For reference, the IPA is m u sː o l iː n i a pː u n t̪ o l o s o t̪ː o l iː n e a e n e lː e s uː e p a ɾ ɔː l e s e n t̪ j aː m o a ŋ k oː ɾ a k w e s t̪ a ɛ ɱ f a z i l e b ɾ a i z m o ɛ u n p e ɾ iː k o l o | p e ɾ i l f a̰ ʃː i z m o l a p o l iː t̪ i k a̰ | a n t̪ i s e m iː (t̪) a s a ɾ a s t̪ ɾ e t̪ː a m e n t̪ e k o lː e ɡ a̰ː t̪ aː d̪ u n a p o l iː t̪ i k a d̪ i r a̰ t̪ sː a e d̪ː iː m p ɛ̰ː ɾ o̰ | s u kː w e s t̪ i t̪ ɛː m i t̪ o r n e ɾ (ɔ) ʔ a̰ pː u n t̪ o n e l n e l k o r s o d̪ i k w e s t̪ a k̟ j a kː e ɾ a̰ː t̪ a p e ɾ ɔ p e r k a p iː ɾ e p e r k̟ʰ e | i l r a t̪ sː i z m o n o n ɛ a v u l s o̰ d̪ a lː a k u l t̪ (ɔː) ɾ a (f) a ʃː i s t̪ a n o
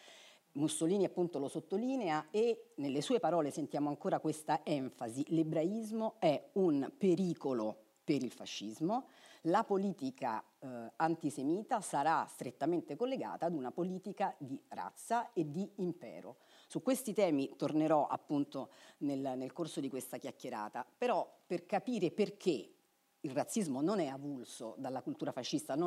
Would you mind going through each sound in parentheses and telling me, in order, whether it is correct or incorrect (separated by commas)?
correct, correct, incorrect, correct